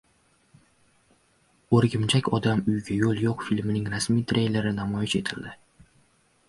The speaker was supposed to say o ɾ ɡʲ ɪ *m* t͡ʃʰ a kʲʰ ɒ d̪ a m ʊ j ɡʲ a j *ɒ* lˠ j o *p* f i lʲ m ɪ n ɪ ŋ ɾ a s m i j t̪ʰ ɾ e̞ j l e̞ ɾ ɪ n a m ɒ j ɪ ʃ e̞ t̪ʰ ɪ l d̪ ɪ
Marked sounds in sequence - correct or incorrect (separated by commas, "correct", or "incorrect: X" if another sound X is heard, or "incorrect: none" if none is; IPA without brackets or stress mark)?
correct, incorrect: o, incorrect: q